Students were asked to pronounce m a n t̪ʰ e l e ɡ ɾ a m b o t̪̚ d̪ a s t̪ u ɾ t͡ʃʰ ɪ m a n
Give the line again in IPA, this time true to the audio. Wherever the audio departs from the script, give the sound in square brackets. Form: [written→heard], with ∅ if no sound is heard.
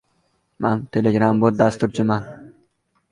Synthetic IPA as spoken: m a n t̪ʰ e l e ɡ ɾ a m b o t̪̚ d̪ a s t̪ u ɾ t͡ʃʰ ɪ m a n